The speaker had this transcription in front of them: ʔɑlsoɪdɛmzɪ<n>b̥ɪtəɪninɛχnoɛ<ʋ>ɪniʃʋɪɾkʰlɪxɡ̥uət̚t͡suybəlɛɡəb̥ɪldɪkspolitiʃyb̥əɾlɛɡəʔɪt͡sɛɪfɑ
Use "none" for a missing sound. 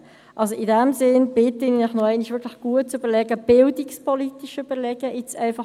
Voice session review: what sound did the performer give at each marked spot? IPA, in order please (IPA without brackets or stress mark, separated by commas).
n, none